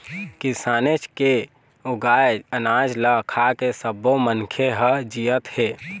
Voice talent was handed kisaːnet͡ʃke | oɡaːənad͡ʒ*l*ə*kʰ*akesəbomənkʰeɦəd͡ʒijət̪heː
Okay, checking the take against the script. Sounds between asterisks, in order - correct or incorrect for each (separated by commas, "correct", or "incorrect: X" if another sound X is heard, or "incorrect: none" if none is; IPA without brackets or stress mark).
correct, correct